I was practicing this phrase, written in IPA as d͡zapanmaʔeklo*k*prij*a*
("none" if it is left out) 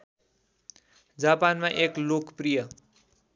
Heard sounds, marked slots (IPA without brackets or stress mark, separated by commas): k, ʌ